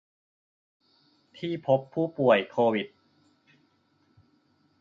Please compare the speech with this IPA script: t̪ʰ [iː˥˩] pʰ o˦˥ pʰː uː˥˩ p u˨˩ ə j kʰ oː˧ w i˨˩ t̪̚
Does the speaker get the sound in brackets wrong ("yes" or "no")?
no